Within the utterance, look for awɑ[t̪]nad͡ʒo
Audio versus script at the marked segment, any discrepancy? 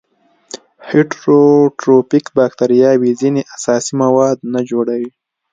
yes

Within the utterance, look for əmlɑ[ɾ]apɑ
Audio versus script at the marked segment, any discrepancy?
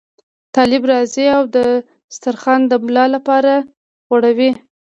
yes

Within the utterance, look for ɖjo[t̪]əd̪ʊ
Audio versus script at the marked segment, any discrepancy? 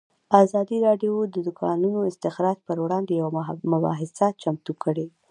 yes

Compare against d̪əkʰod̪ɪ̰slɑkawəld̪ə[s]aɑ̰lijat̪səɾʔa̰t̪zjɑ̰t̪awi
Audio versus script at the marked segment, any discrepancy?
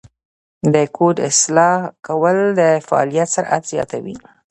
yes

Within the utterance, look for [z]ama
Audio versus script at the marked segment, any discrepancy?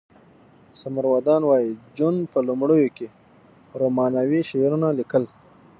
yes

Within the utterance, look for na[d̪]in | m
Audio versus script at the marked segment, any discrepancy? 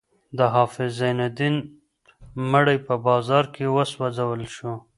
no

